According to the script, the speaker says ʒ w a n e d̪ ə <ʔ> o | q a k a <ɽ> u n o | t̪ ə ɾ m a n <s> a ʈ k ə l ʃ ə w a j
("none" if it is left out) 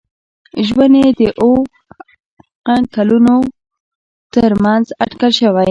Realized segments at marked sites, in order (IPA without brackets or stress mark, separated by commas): ʔ, l, z